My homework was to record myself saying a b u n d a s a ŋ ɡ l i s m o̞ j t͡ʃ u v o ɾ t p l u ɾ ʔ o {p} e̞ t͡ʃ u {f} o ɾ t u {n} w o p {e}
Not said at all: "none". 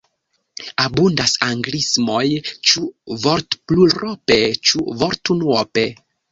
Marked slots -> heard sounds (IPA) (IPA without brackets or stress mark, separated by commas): p, v, n, e